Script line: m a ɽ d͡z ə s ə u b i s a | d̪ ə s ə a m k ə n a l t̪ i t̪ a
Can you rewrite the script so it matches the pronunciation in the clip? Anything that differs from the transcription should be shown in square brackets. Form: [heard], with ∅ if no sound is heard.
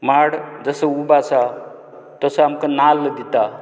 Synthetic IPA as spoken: m a ɽ d͡z ə s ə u b [a] s a | [t̪] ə s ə a m k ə n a l [d̪] i t̪ a